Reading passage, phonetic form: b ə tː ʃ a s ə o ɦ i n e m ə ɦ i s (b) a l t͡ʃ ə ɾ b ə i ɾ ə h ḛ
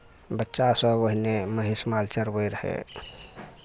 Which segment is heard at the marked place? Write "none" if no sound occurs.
m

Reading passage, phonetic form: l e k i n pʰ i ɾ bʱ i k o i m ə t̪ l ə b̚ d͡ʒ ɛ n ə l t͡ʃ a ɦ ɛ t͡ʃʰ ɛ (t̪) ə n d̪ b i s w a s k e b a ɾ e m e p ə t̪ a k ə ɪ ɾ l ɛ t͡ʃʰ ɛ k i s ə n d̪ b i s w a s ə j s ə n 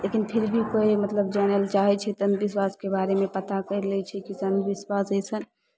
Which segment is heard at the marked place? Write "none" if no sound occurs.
t̪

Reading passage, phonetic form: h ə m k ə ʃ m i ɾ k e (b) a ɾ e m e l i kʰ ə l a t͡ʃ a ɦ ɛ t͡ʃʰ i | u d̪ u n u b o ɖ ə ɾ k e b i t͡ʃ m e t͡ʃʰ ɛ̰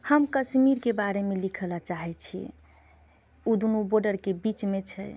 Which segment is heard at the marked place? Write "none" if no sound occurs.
b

